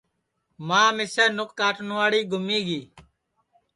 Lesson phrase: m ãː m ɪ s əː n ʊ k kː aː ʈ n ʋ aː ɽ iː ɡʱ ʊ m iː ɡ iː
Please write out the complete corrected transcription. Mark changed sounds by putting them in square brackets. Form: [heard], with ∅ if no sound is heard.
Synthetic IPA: m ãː m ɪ s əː n ʊ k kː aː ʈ n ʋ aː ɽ iː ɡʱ ʊ m iː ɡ iː